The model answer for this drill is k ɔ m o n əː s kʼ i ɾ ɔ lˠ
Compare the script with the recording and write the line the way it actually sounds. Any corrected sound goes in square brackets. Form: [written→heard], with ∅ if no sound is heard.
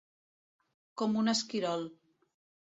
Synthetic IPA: k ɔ m [o→u] n [əː→ə] s [kʼ→k] i ɾ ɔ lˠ